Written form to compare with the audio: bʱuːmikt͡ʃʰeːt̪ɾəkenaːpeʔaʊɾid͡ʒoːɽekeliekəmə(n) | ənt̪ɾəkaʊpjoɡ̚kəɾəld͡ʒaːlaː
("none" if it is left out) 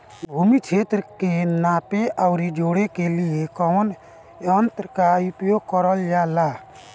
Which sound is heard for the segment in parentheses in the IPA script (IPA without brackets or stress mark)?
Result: n